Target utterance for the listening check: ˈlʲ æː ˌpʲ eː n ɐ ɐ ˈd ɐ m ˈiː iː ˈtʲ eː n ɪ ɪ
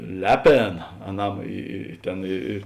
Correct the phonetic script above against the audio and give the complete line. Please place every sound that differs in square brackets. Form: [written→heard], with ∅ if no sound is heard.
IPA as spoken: ˈlʲ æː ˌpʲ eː n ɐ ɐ [ˈd→ˈn] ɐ m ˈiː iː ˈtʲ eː n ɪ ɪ